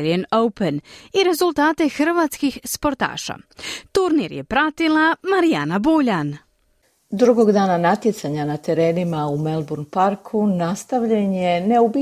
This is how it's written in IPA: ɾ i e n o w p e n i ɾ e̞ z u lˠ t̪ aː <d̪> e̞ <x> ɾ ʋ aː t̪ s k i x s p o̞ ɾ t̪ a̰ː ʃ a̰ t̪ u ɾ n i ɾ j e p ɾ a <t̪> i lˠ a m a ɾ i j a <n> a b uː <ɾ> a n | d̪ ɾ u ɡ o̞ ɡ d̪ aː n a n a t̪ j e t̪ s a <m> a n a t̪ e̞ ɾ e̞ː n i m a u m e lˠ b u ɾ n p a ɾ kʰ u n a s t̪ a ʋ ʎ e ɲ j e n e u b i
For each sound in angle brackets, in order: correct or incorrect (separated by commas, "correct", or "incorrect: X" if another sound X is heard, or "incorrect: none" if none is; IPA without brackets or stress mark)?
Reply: incorrect: t̪, correct, correct, correct, incorrect: ʎ, incorrect: ɲ